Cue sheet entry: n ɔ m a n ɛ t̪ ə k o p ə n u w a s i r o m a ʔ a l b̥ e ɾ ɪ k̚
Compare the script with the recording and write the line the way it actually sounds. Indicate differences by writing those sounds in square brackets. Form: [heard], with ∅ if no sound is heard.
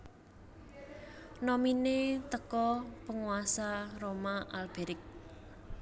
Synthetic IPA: n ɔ m [i] n [e] t̪ ə k [ɔ] p ə [ŋ] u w a s [a] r o m a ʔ a l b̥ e ɾ ɪ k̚